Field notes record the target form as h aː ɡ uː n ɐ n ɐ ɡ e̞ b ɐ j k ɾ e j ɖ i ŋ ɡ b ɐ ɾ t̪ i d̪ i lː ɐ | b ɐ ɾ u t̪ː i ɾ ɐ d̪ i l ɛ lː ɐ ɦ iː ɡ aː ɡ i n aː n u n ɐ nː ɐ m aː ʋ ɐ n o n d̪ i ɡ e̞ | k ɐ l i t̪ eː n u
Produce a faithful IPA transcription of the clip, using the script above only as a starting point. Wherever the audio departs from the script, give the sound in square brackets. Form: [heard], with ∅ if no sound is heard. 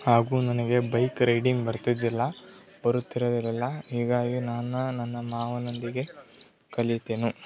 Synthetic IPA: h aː ɡ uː n ɐ n ɐ ɡ e̞ b ɐ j k ɾ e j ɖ i ŋ ɡ b ɐ ɾ t̪ i d̪ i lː ɐ | b ɐ ɾ u t̪ː i ɾ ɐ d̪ i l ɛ lː ɐ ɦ iː ɡ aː ɡ i n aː n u n ɐ nː ɐ m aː ʋ ɐ n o n d̪ i ɡ e̞ | k ɐ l i t̪ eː n u